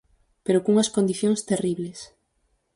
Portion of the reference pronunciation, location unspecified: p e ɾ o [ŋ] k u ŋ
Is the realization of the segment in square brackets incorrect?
yes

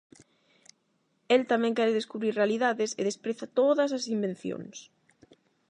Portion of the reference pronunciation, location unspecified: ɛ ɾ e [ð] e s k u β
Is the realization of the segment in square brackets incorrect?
no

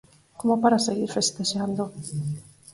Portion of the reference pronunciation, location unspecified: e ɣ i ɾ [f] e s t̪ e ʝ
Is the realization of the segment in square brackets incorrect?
no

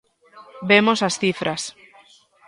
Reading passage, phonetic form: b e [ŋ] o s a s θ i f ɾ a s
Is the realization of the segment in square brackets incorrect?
yes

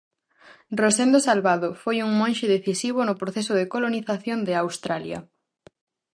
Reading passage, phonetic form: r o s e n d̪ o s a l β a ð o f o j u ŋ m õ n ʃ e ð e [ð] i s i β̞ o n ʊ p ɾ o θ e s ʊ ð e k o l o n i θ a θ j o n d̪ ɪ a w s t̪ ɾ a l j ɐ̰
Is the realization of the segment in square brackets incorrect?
yes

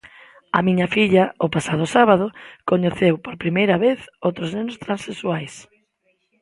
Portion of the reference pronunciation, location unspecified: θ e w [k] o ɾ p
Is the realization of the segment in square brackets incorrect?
yes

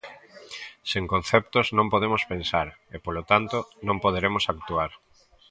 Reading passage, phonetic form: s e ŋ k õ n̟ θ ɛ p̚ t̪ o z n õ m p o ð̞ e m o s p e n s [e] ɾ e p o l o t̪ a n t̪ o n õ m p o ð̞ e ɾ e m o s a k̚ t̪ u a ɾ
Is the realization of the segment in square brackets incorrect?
yes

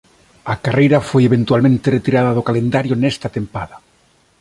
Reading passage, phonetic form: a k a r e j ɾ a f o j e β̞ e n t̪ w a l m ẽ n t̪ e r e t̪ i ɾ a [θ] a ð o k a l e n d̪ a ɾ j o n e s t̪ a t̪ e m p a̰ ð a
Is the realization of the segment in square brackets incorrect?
yes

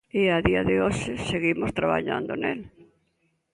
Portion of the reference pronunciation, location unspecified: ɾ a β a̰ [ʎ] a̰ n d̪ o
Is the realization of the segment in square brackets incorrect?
no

